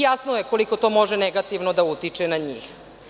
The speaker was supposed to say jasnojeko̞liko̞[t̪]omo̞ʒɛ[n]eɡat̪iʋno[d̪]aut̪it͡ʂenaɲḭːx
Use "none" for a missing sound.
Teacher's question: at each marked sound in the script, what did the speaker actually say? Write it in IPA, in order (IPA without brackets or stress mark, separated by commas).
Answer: t̪, n, d̪